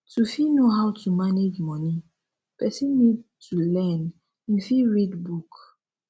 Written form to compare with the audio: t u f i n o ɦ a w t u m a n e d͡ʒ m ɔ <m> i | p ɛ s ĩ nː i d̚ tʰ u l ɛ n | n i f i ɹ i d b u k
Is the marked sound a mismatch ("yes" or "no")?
yes